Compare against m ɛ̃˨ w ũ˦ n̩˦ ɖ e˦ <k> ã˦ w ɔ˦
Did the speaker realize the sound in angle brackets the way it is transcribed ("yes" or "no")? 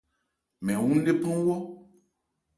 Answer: no